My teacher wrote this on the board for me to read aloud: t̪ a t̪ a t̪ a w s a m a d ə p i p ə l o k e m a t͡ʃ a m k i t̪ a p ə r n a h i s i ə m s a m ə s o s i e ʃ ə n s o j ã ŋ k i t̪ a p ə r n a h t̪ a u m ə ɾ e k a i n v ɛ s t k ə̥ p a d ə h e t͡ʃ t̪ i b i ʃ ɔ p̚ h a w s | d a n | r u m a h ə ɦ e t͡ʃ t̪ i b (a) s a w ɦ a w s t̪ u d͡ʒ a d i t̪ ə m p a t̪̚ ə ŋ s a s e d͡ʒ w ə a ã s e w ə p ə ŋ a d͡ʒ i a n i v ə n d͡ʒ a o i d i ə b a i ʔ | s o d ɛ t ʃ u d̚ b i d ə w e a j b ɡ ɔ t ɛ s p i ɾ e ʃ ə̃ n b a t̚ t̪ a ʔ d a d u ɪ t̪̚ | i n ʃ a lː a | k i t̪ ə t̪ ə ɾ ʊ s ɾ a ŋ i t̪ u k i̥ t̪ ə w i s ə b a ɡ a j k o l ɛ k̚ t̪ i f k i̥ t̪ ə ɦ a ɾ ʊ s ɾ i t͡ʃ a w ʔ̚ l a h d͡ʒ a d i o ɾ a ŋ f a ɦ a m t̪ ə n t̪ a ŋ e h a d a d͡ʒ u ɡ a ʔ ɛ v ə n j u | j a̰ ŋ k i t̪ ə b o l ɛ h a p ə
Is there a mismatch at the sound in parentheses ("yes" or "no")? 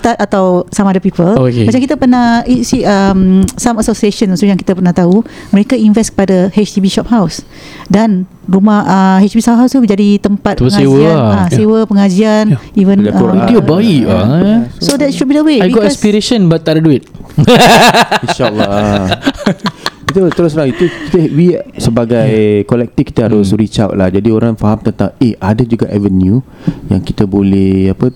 yes